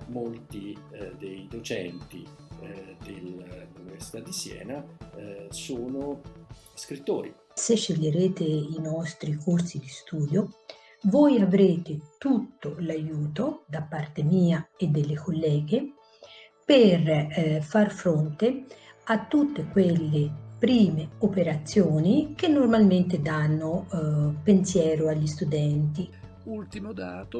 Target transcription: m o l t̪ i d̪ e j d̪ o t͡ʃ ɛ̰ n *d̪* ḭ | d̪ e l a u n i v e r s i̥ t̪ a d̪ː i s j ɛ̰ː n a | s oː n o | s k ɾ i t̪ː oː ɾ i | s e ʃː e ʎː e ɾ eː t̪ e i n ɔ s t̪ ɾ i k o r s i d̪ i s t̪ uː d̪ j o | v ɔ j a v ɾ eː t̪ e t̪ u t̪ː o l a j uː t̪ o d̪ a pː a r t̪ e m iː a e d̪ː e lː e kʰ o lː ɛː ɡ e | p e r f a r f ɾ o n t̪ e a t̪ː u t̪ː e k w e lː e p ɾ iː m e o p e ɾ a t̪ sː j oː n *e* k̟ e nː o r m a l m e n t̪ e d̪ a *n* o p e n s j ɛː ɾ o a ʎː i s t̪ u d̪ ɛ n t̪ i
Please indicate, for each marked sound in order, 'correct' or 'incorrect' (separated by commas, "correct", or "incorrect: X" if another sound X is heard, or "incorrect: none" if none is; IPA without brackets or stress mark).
incorrect: t̪, incorrect: i, incorrect: nː